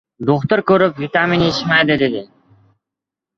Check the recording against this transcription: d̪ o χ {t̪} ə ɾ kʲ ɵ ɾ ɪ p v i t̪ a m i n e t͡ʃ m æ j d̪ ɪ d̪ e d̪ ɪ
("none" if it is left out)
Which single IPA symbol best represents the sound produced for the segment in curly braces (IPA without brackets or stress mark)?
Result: t̪